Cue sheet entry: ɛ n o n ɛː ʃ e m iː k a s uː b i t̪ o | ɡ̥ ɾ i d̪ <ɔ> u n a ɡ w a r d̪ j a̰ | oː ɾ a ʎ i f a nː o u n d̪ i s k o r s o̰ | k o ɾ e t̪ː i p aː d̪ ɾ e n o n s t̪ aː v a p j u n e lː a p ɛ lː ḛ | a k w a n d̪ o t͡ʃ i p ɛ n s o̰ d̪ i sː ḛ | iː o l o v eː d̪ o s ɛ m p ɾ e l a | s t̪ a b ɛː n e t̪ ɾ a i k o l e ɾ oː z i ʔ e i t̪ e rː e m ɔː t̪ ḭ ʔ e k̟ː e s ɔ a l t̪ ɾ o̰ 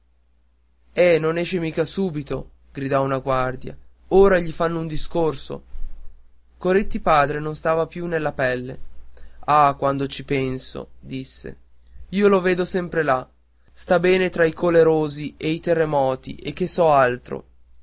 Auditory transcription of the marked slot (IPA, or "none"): ɔ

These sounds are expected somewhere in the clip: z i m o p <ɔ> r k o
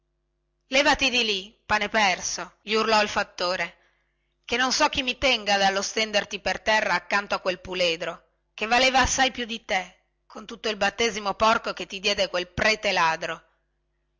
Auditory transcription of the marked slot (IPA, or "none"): ɔ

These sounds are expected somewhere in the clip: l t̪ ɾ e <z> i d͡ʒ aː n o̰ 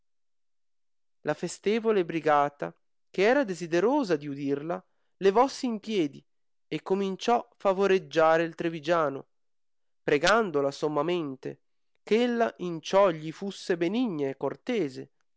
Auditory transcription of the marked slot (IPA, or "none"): v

